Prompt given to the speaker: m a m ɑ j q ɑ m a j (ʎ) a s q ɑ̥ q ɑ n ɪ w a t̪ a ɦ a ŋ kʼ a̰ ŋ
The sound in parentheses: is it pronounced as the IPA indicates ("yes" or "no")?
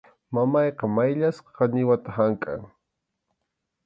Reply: yes